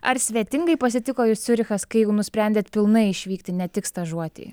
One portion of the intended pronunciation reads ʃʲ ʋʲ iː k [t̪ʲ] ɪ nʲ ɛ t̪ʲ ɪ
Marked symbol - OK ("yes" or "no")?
yes